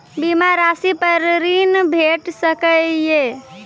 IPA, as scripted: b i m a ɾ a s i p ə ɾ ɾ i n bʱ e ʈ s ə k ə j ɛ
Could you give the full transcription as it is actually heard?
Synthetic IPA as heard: b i m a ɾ a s i p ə ɾ ɾ i n bʱ e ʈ s ə k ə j e